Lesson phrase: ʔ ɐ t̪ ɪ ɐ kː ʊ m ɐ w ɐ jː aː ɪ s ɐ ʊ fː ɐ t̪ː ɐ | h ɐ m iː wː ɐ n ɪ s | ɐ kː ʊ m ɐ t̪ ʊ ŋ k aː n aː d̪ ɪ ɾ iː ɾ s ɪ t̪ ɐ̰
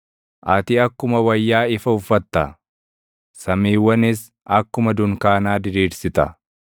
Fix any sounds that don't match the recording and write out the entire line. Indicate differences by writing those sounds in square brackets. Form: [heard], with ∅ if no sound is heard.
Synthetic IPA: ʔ ɐ t̪ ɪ ɐ kː ʊ m ɐ w ɐ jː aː ɪ [f] ɐ ʊ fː ɐ t̪ː ɐ | [s] ɐ m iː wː ɐ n ɪ s | ɐ kː ʊ m ɐ [d̪] ʊ ŋ k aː n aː d̪ ɪ ɾ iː ɾ s ɪ t̪ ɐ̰

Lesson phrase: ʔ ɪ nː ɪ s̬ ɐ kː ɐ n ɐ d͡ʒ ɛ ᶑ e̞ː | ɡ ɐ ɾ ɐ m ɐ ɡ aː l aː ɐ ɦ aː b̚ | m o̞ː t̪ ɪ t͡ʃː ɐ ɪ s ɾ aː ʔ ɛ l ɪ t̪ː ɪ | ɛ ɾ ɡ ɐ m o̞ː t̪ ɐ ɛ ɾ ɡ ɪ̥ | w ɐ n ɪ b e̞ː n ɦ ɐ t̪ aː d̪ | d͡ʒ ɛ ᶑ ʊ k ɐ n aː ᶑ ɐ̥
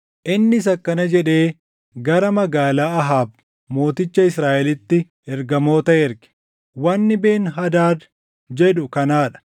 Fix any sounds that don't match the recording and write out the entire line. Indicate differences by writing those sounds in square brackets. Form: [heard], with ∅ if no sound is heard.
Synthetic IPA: ʔ ɪ nː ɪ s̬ ɐ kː ɐ n ɐ d͡ʒ ɛ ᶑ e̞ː | ɡ ɐ ɾ ɐ m ɐ ɡ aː l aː ɐ ɦ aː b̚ | m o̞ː t̪ ɪ t͡ʃː ɐ ɪ s ɾ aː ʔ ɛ l ɪ t̪ː ɪ | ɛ ɾ ɡ ɐ m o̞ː t̪ ɐ ɛ ɾ ɡ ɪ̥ | w ɐ [nː] ɪ b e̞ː n ɦ ɐ [d̪] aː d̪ | d͡ʒ ɛ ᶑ ʊ k ɐ n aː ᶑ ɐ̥

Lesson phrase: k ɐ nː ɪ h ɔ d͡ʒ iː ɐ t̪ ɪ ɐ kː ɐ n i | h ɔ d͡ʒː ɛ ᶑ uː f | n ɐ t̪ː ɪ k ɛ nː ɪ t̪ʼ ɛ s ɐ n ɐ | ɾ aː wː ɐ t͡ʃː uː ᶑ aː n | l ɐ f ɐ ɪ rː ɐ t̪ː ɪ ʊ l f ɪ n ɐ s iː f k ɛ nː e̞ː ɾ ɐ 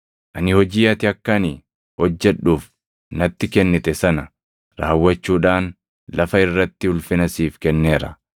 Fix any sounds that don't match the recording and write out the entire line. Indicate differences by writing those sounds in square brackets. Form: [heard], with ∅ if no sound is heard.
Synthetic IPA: [ʔ] ɐ [n] ɪ h ɔ d͡ʒ iː ɐ t̪ ɪ ɐ kː ɐ n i | h ɔ d͡ʒː ɛ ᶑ uː f | n ɐ t̪ː ɪ k ɛ nː ɪ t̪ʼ ɛ s ɐ n ɐ | ɾ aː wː ɐ t͡ʃː uː ᶑ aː n | l ɐ f ɐ ɪ rː ɐ t̪ː ɪ ʊ l f ɪ n ɐ s iː f k ɛ nː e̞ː ɾ ɐ

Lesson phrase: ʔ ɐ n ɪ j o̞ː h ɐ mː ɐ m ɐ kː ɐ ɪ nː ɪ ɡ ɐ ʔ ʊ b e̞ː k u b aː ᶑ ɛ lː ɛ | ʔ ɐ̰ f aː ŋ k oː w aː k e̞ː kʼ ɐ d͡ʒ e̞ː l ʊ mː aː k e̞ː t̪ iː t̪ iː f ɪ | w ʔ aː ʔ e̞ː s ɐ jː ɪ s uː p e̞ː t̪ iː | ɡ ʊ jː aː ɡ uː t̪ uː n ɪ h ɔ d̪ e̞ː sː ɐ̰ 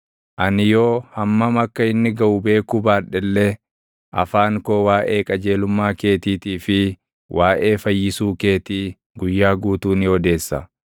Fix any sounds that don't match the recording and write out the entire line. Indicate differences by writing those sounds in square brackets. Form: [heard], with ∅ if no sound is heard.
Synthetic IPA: ʔ ɐ n ɪ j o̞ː h ɐ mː ɐ m ɐ kː ɐ ɪ nː ɪ ɡ ɐ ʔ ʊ b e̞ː k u b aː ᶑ ɛ lː ɛ | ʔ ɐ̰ f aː ŋ k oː w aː [ʔ] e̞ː kʼ ɐ d͡ʒ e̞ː l ʊ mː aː k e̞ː t̪ iː t̪ iː f ɪ | w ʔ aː ʔ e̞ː [f] ɐ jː ɪ s uː [k] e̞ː t̪ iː | ɡ ʊ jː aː ɡ uː t̪ uː n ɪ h ɔ d̪ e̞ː sː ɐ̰

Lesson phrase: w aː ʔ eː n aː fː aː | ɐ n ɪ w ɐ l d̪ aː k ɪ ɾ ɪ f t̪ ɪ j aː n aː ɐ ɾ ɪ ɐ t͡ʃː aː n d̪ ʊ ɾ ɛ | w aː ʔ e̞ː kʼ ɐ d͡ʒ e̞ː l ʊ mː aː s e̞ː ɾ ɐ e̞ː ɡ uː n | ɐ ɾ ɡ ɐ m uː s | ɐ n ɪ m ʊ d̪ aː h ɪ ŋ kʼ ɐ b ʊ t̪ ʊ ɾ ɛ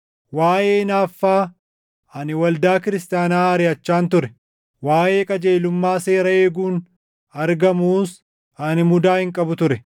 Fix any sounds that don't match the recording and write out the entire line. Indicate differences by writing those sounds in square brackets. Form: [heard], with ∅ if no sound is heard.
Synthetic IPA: w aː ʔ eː n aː fː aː | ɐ n ɪ w ɐ l d̪ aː k ɪ ɾ ɪ [s] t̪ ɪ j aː n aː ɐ ɾ ɪ ɐ t͡ʃː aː n [t̪] ʊ ɾ ɛ | w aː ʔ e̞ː kʼ ɐ d͡ʒ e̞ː l ʊ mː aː s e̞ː ɾ ɐ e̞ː ɡ uː n | ɐ ɾ ɡ ɐ m uː s | ɐ n ɪ m ʊ d̪ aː h ɪ ŋ kʼ ɐ b ʊ t̪ ʊ ɾ ɛ

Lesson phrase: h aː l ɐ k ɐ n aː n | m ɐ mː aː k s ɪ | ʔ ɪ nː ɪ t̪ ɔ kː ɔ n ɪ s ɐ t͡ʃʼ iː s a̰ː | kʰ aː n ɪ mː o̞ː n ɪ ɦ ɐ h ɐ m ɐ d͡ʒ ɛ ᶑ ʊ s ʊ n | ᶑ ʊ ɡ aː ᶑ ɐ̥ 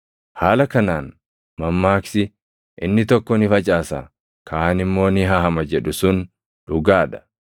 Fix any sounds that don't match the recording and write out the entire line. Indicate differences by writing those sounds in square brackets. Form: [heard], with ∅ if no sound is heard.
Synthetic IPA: h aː l ɐ k ɐ n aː n | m ɐ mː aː k s ɪ | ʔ ɪ nː ɪ t̪ ɔ kː ɔ n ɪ [f] ɐ t͡ʃʼ [aː] s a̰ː | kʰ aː n ɪ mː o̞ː n ɪ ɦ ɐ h ɐ m ɐ d͡ʒ ɛ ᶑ ʊ s ʊ n | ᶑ ʊ ɡ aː ᶑ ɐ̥

